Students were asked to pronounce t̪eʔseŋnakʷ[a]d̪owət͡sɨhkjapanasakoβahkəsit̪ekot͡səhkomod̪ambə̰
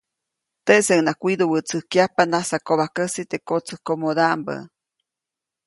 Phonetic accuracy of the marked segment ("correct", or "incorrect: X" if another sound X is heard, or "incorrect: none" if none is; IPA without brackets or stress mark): incorrect: i